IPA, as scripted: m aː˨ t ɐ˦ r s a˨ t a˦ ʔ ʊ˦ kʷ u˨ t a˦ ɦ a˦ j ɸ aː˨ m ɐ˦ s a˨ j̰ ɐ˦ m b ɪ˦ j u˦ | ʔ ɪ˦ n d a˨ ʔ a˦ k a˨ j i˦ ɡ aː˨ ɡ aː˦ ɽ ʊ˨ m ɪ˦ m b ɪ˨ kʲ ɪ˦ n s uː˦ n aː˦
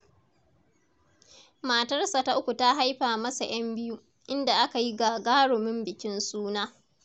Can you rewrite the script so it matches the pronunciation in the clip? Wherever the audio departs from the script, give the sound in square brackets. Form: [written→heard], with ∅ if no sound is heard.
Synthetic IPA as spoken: m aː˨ t ɐ˦ r s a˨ t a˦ ʔ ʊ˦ kʷ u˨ t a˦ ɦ a˦ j ɸ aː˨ m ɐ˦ s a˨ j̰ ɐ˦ m b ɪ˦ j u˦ | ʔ ɪ˦ n d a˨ ʔ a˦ k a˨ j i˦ ɡ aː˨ ɡ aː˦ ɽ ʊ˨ m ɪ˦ m b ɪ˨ kʲ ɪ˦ n s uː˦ n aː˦